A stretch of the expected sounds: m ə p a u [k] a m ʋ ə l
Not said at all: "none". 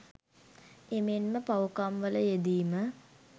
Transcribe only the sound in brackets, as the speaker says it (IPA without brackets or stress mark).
k